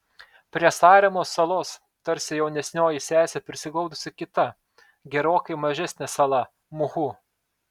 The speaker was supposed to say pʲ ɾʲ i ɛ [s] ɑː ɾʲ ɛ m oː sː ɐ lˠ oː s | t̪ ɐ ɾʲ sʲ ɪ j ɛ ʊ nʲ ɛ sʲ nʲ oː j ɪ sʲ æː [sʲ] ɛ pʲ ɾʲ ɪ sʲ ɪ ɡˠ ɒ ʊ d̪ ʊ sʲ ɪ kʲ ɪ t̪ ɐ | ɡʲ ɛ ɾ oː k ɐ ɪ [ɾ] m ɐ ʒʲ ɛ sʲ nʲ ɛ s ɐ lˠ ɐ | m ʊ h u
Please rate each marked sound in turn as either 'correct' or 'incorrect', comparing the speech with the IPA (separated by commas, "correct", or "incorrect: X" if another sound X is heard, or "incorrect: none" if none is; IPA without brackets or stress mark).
correct, correct, incorrect: none